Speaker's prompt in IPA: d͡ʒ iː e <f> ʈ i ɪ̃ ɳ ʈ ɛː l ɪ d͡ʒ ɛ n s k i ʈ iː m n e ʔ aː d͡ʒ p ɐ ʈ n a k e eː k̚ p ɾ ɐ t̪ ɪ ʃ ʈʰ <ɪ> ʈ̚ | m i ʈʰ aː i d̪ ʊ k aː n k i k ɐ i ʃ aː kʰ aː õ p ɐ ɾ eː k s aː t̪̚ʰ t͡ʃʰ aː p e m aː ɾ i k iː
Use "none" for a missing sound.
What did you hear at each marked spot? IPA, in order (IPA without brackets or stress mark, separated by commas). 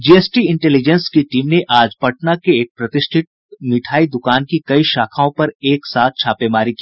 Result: s, ɪ